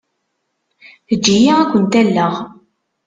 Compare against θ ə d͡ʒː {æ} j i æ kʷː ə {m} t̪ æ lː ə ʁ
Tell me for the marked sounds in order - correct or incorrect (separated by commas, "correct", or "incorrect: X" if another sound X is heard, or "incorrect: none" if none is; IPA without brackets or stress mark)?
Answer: incorrect: i, incorrect: n